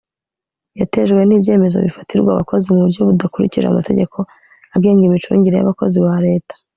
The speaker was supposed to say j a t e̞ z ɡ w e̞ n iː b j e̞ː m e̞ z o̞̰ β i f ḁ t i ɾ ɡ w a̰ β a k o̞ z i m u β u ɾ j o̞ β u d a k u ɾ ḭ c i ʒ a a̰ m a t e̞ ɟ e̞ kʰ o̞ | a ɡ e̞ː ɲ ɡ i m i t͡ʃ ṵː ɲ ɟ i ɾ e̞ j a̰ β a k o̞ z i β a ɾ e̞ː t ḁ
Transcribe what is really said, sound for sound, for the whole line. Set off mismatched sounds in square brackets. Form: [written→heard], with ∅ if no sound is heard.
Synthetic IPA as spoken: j a t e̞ [z→ʒ] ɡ w e̞ n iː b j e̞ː m e̞ z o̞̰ β i f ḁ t i ɾ ɡ w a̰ β a k o̞ z i m u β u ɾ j o̞ β u d a k u ɾ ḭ c i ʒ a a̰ m a t e̞ ɟ e̞ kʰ o̞ | a ɡ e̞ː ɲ ɡ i m i t͡ʃ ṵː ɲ ɟ i ɾ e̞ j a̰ β a k o̞ z i β a ɾ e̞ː t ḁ